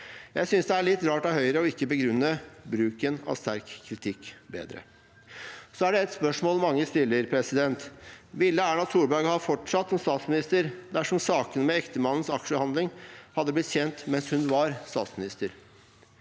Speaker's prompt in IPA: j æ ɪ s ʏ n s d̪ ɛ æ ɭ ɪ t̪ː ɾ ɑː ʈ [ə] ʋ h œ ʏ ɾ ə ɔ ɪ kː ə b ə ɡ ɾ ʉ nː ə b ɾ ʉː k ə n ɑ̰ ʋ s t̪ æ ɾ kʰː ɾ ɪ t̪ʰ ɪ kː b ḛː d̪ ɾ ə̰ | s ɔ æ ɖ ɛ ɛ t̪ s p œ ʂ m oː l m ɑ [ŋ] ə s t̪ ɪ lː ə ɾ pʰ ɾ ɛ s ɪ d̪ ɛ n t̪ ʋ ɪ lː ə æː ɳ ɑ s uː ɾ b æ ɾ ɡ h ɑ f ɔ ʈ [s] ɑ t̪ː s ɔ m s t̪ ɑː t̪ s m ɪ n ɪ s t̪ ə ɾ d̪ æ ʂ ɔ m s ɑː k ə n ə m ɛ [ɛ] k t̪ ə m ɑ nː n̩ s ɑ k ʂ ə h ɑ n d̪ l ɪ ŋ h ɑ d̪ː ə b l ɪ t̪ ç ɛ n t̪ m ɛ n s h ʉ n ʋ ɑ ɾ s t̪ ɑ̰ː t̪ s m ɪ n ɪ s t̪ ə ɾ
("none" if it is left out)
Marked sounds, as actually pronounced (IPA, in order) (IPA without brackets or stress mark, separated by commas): ɑ, ŋː, ʂ, ɛ